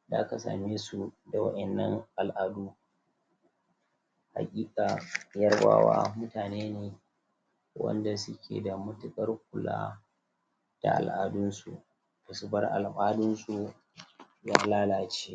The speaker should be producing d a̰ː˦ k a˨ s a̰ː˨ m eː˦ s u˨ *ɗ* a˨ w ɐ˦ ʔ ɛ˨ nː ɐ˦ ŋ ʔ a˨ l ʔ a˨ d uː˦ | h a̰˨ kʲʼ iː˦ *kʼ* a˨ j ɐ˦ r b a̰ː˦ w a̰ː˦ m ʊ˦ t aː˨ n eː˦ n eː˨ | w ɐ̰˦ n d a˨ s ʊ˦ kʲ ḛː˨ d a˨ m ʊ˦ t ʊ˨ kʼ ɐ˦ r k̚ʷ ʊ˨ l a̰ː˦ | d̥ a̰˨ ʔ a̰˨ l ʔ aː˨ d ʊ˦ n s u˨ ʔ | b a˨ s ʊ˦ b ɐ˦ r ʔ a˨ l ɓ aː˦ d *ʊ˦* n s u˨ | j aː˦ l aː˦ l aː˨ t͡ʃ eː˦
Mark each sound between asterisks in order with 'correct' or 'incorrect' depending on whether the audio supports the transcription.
incorrect: d, correct, correct

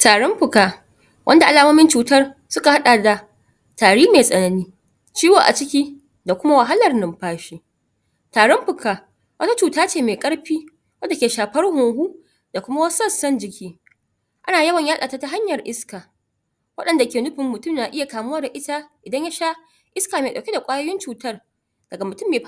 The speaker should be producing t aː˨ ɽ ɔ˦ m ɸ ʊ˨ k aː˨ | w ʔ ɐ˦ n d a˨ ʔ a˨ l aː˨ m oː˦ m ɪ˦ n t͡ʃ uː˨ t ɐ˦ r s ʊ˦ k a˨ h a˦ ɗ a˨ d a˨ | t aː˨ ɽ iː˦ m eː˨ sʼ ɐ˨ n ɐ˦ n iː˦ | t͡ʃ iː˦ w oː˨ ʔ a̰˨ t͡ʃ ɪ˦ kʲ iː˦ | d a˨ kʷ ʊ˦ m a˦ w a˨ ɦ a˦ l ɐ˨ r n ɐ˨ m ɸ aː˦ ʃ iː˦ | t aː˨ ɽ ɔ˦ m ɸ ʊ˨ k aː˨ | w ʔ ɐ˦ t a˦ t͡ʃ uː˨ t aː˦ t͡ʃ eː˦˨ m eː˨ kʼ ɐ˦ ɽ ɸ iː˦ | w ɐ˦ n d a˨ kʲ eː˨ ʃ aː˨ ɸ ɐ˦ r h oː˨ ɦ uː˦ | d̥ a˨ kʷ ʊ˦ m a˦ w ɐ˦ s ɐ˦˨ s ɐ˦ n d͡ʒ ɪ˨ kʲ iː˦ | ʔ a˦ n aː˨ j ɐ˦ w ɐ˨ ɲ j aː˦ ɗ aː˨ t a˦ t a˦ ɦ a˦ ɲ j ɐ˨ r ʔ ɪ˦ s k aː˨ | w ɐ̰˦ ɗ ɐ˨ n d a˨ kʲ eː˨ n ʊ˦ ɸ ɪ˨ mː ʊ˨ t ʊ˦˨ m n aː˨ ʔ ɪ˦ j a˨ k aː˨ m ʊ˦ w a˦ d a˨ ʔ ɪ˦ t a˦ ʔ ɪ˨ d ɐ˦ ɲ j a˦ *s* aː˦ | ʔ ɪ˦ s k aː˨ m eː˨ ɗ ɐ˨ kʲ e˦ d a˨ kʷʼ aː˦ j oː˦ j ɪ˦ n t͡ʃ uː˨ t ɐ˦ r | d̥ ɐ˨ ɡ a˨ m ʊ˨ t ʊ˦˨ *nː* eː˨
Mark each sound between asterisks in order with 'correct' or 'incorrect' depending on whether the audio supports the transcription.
incorrect: ʃ, incorrect: mː

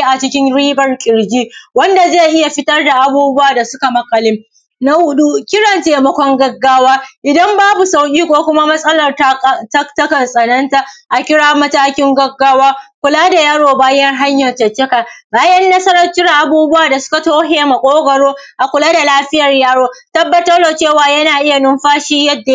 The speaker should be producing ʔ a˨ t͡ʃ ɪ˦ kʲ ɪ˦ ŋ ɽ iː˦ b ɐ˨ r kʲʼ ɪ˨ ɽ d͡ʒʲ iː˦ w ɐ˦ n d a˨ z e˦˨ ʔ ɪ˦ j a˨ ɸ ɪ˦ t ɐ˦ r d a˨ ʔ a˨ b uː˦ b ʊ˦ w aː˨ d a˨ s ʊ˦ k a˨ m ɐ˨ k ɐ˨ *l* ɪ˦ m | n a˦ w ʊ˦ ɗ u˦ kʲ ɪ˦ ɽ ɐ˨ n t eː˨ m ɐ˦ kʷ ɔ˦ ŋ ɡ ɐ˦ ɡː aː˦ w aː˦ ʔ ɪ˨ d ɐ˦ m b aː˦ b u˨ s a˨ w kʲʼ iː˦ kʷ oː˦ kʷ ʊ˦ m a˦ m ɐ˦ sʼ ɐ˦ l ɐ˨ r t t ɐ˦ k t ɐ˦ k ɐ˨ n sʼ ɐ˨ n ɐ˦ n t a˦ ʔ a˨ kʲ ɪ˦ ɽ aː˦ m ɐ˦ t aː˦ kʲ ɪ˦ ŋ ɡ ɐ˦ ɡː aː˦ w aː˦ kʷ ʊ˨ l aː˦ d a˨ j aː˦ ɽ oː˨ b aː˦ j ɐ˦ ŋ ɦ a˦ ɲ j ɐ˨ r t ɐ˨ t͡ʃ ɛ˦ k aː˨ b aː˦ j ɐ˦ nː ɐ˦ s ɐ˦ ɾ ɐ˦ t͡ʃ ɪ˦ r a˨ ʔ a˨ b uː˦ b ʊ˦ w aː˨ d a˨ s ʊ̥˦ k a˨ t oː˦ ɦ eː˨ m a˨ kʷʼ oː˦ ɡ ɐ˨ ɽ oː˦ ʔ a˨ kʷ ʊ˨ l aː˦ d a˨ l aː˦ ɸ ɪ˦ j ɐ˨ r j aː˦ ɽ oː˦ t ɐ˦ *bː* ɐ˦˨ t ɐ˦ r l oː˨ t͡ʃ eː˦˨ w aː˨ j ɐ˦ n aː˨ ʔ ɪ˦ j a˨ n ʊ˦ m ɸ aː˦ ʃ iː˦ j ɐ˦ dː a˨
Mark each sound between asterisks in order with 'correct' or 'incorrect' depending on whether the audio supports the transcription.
correct, correct

